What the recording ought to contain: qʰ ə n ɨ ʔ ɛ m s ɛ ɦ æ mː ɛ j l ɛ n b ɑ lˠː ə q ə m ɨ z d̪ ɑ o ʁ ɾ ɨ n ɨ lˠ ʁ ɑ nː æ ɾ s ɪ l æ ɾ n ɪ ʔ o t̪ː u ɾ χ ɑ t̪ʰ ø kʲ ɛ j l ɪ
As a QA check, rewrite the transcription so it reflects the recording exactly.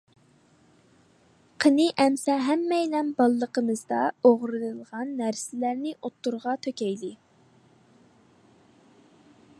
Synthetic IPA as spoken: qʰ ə n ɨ ʔ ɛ m s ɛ ɦ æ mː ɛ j l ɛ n b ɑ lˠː ə q ə m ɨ z d̪ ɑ o ʁ ɾ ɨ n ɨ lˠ ʁ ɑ nː æ ɾ s ɪ l æ ɾ n ɪ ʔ o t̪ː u ɾ ʁ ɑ t̪ʰ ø kʲ ɛ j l ɪ